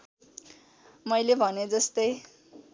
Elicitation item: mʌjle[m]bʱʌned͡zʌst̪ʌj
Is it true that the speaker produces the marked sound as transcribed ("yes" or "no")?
no